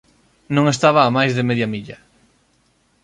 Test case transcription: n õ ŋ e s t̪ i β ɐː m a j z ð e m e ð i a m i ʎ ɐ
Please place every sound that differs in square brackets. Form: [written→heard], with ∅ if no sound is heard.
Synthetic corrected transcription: n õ ŋ e s t̪ [i→a] β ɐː m a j z ð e m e ð [i→j] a m i ʎ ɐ